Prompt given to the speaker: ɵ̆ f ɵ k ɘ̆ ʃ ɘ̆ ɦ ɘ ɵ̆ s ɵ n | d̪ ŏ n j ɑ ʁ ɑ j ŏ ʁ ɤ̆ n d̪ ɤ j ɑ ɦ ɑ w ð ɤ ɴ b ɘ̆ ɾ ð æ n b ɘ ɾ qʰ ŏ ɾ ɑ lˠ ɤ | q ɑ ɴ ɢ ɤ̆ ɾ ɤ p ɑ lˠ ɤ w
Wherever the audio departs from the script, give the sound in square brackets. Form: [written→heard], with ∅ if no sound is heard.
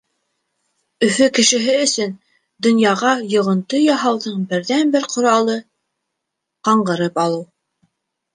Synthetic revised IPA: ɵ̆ f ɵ k ɘ̆ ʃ ɘ̆ ɦ ɘ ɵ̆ s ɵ n | d̪ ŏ n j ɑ ʁ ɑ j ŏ ʁ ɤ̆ n [d̪→t̪] ɤ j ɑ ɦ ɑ w ð ɤ ɴ b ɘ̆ ɾ ð æ n b ɘ ɾ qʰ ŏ ɾ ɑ lˠ ɤ | q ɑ ɴ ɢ ɤ̆ ɾ ɤ p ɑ lˠ ɤ w